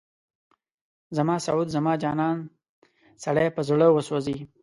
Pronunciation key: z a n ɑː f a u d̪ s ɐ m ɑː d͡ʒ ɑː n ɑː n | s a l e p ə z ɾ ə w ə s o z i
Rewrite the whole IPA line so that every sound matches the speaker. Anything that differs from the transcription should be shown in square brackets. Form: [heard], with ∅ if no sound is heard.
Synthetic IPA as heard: z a [m] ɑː [s] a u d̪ [z] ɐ m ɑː d͡ʒ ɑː n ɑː n | s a [ɽ] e p ə z [ɽ] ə w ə s o z i